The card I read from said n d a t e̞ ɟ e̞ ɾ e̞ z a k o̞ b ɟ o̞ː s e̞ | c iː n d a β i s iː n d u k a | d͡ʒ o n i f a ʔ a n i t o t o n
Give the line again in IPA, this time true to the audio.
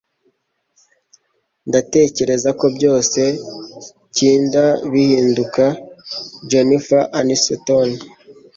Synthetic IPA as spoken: n d a t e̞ c e̞ ɾ e̞ z a k o̞ b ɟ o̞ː s e̞ | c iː n d a β i h iː n d u k a | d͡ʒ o n i f a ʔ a n i s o t o n